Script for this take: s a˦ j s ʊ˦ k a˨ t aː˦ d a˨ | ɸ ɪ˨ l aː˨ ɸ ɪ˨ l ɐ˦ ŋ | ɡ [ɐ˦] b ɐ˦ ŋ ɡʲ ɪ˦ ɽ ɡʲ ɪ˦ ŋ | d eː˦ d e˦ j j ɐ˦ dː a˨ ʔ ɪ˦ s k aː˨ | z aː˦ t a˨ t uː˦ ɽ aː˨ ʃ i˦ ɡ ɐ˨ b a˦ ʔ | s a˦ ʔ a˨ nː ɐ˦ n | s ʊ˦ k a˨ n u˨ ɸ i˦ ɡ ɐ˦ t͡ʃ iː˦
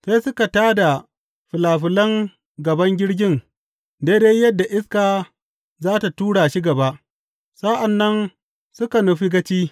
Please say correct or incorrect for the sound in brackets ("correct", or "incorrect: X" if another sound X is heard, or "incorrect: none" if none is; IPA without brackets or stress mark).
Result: incorrect: ɐ˨